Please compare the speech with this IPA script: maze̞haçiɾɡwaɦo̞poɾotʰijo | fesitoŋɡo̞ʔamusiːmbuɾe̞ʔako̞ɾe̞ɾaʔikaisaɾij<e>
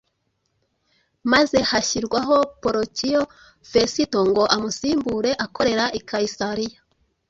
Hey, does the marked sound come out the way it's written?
no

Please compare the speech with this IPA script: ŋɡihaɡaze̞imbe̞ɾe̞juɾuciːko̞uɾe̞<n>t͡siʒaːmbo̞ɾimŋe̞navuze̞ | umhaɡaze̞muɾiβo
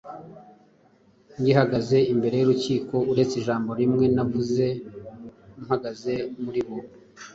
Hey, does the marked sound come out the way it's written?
no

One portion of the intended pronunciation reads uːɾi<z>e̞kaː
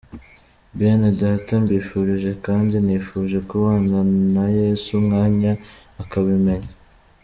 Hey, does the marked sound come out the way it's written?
no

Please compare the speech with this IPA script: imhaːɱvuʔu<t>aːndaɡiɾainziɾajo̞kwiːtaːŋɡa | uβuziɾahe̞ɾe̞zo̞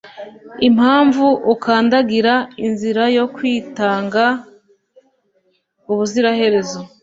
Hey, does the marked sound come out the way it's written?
no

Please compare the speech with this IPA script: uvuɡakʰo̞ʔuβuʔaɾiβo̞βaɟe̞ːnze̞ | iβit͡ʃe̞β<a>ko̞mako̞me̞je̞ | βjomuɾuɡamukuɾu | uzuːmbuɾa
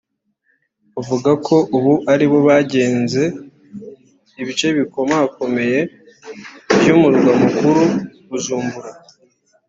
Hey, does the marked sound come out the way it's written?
no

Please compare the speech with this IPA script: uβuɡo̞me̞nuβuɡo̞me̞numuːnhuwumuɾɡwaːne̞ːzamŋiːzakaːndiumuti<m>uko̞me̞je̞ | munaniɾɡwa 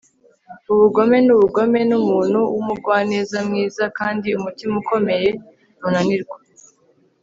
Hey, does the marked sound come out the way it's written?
yes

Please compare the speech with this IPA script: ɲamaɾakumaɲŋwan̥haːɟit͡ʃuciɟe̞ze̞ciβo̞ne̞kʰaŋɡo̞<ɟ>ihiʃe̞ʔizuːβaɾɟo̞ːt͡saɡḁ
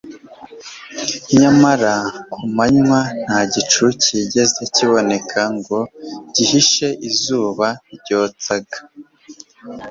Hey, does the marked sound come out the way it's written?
yes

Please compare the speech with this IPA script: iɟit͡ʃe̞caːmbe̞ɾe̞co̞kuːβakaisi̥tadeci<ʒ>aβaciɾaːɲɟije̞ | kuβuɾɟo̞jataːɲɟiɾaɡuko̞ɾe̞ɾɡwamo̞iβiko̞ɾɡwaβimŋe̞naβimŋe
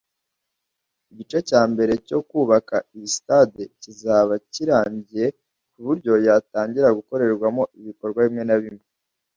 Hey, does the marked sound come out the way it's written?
no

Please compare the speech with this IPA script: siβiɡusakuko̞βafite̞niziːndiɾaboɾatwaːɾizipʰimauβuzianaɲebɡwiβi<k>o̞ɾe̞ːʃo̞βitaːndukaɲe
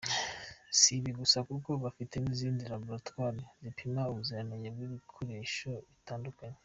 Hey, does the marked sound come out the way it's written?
no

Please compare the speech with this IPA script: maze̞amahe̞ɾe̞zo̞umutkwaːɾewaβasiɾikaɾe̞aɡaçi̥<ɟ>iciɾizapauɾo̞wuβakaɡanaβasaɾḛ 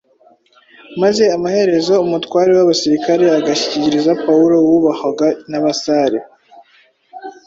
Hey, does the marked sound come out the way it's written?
no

